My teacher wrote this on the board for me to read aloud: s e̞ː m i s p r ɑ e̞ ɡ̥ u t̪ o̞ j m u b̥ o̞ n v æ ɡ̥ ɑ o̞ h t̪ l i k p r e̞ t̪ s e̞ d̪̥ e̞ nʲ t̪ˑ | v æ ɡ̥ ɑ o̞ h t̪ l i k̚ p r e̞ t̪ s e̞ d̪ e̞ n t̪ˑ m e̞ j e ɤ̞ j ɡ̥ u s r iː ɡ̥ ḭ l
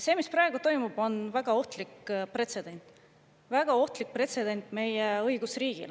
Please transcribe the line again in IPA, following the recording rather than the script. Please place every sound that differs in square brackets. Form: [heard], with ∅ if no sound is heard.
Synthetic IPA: s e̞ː m i s p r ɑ e̞ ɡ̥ u t̪ o̞ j m u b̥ o̞ n v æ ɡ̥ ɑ o̞ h t̪ l i k p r e̞ t̪ s e̞ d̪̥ e̞ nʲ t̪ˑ | v æ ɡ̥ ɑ o̞ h t̪ l i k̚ p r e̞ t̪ s e̞ d̪ e̞ n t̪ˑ m e̞ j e ɤ̞ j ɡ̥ u s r iː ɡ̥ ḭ l